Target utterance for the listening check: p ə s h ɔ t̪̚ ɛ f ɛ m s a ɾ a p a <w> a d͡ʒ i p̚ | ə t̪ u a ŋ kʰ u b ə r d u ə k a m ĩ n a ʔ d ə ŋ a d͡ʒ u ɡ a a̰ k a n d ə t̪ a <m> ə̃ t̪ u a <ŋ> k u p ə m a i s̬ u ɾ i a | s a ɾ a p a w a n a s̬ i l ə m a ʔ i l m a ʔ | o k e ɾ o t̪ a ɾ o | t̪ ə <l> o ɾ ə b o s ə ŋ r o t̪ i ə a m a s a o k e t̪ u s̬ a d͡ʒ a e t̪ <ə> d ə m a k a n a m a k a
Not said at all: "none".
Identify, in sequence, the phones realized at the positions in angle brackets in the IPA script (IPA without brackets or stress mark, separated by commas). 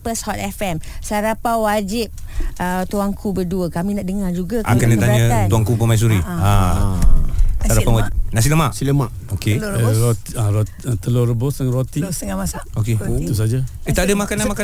w, ɲ, ŋ, l, a